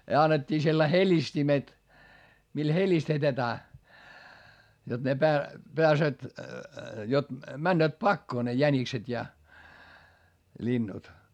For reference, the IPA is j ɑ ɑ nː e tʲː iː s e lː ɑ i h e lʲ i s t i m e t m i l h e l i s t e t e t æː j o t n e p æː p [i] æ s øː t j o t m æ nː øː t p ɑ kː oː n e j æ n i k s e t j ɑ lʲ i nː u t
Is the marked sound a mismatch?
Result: yes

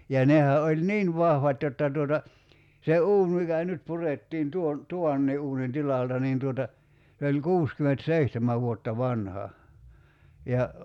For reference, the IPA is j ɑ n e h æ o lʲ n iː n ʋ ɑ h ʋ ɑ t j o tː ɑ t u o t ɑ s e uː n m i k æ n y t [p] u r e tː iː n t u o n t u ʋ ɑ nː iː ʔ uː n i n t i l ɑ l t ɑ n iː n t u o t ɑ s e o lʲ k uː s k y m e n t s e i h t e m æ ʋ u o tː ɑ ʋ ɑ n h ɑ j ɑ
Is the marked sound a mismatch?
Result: no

